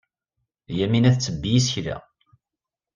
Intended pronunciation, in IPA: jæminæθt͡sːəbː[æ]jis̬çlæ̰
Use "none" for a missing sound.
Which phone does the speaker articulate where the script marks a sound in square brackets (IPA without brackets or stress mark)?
i